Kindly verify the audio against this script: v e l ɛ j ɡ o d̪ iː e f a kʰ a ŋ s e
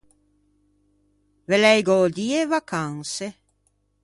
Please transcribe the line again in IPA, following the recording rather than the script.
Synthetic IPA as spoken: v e l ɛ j ɡ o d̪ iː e v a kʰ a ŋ s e